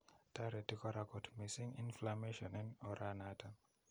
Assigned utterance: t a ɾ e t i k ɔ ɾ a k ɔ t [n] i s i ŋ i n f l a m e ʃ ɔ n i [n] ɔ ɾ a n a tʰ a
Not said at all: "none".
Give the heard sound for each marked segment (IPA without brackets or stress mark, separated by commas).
m, n